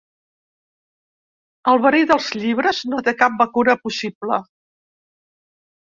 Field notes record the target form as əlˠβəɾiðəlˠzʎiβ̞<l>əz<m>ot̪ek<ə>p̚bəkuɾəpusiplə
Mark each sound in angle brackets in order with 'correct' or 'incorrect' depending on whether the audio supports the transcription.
incorrect: ɾ, incorrect: n, incorrect: a

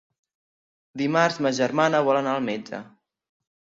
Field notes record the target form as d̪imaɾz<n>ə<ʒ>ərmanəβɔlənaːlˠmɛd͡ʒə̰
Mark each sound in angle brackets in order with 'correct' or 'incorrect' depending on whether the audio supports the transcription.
incorrect: m, correct

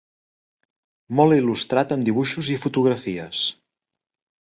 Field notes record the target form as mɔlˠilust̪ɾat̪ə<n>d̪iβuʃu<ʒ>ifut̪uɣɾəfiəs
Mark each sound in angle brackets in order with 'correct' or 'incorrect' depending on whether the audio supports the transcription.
incorrect: m, incorrect: z

